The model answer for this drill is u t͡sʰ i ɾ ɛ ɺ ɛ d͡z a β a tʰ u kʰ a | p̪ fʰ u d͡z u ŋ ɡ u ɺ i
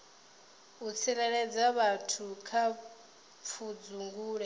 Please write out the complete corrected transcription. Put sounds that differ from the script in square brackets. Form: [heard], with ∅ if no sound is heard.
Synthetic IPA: u t͡sʰ i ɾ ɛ ɺ ɛ d͡z a β a tʰ u kʰ a | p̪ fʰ u d͡z u ŋ ɡ [uː] ɺ [ɛ]